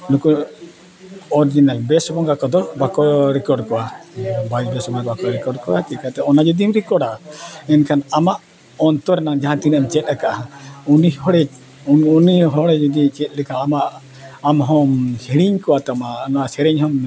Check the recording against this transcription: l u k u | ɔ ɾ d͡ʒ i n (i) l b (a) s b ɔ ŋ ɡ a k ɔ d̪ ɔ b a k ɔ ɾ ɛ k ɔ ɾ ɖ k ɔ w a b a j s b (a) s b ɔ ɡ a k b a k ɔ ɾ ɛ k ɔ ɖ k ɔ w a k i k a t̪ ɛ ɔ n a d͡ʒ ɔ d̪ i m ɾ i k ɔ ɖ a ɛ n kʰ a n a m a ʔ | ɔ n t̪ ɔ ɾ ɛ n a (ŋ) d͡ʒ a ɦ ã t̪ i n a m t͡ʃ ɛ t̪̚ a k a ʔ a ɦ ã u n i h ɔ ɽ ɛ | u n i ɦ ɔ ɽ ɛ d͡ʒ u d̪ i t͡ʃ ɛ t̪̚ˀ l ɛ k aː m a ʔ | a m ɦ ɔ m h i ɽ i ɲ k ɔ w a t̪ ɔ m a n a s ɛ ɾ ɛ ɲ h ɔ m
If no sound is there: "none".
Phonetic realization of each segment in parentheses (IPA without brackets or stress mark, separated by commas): a, ɛ, ɛ, ŋ